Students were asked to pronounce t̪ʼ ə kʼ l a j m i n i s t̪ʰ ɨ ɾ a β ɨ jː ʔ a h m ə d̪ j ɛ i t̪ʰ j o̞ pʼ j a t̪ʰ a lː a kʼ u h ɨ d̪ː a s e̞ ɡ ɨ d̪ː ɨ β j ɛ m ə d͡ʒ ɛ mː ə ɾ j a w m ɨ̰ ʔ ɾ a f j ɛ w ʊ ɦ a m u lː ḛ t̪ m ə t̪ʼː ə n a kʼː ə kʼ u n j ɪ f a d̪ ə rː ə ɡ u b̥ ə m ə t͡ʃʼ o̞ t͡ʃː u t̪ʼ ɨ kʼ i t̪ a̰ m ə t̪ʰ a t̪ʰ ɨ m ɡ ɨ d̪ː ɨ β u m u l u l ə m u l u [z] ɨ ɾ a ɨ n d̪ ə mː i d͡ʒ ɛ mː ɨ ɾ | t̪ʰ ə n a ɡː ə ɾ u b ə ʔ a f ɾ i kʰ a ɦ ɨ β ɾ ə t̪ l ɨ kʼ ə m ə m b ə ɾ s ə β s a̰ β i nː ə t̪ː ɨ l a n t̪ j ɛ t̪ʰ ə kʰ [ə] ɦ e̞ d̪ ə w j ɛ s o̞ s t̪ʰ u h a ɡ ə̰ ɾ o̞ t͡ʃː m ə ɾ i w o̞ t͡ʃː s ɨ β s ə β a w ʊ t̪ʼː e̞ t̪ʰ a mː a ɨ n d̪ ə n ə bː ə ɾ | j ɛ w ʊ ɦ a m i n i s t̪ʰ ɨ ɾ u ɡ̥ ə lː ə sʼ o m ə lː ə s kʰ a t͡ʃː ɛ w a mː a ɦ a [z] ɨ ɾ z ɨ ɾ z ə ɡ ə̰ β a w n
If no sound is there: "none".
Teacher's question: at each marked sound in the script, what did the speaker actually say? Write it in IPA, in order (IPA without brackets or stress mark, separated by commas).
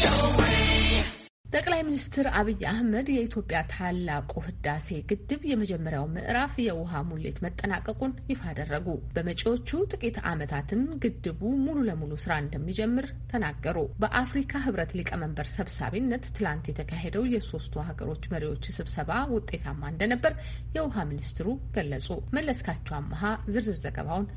s, a, z